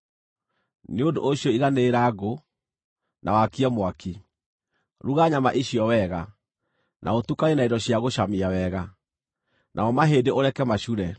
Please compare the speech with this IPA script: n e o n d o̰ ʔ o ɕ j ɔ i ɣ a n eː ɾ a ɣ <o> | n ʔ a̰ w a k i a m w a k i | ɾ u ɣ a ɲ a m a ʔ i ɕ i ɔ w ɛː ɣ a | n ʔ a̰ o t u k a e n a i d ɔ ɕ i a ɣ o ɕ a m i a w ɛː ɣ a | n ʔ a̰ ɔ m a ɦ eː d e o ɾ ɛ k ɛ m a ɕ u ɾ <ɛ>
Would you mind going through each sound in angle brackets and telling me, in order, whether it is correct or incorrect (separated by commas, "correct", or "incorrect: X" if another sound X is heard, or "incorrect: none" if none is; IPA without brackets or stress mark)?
correct, correct